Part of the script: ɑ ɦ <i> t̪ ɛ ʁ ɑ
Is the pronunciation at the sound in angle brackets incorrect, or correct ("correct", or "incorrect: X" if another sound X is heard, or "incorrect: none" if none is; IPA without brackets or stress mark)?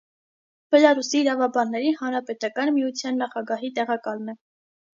correct